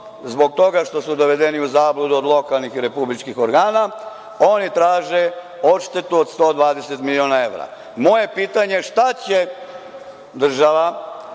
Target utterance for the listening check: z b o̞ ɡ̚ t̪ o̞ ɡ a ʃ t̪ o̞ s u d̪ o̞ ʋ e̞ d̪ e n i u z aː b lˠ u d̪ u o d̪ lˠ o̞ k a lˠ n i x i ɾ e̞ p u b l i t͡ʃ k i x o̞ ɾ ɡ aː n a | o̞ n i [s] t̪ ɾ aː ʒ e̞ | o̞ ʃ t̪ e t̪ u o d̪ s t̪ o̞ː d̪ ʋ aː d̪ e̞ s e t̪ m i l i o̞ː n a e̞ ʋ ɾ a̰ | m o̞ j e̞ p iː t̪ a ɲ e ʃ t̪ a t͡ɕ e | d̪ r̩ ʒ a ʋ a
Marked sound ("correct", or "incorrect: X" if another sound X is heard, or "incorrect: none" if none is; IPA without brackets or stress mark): incorrect: none